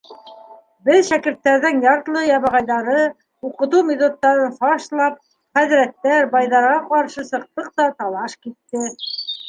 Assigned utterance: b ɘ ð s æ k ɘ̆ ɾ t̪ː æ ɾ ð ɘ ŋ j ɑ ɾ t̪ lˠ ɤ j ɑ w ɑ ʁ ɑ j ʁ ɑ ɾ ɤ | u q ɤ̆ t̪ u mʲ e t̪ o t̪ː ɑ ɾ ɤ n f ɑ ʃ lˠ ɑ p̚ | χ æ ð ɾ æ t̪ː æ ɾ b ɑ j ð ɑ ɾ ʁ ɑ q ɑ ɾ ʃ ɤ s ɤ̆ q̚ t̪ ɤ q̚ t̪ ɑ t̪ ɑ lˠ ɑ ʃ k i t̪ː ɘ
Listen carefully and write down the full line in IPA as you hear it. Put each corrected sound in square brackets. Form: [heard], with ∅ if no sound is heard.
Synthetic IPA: b ɘ ð [ʃ] æ k ɘ̆ ɾ t̪ː æ ɾ ð ɘ ŋ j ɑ ɾ t̪ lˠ ɤ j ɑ [β] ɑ ʁ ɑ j [ð] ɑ ɾ ɤ | u q ɤ̆ t̪ u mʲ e t̪ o t̪ː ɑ ɾ ɤ n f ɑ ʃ lˠ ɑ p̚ | χ æ ð ɾ æ t̪ː æ ɾ b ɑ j ð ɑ ɾ ʁ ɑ q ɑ ɾ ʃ ɤ s ɤ̆ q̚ t̪ ɤ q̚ t̪ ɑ t̪ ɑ lˠ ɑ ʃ k i t̪ː ɘ